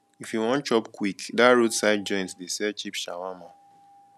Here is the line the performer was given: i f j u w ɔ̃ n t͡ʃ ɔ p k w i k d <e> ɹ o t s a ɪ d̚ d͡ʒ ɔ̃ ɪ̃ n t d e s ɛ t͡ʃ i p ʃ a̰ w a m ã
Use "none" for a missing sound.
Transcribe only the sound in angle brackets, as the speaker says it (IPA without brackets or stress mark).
a